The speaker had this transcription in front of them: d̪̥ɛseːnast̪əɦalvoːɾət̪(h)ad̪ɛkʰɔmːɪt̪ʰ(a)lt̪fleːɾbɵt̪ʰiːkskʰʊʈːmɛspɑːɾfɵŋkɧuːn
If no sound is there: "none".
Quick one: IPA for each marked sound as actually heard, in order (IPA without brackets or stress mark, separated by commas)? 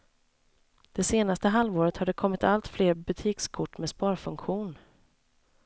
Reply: h, a